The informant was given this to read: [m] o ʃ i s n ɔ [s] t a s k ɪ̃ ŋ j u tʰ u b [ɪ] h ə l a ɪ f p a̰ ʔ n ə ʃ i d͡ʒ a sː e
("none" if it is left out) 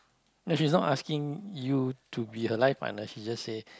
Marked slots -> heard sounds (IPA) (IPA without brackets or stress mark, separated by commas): n, none, i